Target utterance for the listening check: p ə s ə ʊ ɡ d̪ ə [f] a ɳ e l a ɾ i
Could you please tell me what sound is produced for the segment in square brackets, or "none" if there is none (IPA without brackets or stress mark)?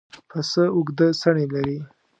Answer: s